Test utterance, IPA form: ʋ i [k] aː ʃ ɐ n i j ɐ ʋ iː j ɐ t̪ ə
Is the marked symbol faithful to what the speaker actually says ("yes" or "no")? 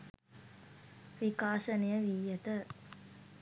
yes